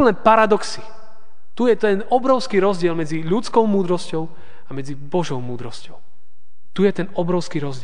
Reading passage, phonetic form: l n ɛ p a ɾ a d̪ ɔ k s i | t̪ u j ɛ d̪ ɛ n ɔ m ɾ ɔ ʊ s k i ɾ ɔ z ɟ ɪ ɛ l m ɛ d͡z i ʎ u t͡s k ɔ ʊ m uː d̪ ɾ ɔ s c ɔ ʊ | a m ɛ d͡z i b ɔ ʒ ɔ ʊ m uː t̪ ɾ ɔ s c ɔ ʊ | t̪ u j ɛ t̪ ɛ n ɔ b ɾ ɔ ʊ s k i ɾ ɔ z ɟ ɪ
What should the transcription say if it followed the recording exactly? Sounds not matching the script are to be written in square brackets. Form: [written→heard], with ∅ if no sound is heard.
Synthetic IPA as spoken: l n ɛ p a ɾ a d̪ ɔ k s i | t̪ u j ɛ [d̪→t̪] ɛ n ɔ [m→b] ɾ ɔ ʊ s k i ɾ ɔ z ɟ ɪ ɛ l m ɛ d͡z i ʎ u t͡s k ɔ ʊ m uː d̪ ɾ ɔ s c ɔ ʊ | a m ɛ d͡z i b ɔ ʒ ɔ ʊ m uː [t̪→d̪] ɾ ɔ s c ɔ ʊ | t̪ u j ɛ t̪ ɛ n ɔ b ɾ ɔ ʊ s k i ɾ ɔ z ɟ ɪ